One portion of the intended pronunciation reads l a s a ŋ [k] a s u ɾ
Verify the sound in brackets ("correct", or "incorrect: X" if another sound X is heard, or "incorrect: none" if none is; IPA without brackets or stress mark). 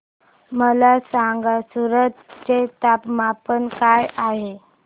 incorrect: ɡ